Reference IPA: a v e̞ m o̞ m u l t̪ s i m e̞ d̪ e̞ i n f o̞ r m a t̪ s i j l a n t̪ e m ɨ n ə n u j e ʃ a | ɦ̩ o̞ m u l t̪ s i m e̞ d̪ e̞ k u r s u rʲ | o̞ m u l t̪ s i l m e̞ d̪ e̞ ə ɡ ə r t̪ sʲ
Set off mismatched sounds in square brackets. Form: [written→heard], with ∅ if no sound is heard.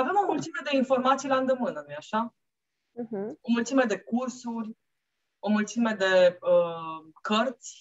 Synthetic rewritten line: a v e̞ m o̞ m u l t̪ s i m e̞ d̪ e̞ i n f o̞ r m a t̪ s i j l a n [t̪→d̪] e m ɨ n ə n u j [e→a] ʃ a | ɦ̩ o̞ m u l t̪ s i m e̞ d̪ e̞ k u r s u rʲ | o̞ m u l t̪ s i [l→∅] m e̞ d̪ e̞ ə [ɡ→k] ə r t̪ sʲ